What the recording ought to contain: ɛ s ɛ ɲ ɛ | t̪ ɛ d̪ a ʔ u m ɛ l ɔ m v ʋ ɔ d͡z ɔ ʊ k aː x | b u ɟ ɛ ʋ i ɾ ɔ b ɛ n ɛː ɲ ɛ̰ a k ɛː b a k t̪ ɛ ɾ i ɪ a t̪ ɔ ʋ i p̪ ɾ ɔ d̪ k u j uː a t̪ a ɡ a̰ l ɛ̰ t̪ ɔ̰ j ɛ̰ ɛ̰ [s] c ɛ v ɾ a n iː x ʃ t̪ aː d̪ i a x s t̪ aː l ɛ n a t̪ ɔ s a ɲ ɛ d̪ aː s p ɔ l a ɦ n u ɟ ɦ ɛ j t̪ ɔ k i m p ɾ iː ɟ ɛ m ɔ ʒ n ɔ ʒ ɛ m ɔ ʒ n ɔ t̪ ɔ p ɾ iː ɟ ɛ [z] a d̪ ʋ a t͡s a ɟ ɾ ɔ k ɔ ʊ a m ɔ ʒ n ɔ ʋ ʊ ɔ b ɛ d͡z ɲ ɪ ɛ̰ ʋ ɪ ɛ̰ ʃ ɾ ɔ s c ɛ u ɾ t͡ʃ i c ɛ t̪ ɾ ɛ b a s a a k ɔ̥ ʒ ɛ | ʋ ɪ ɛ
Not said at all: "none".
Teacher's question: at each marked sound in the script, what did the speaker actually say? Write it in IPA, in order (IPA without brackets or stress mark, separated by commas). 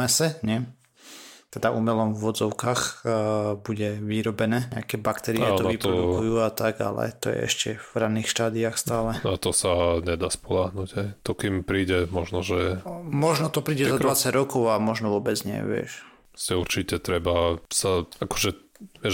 ʃ, z